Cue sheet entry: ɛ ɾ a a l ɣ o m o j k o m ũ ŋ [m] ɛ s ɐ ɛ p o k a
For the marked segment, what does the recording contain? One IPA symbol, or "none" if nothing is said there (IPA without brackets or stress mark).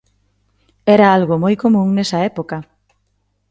n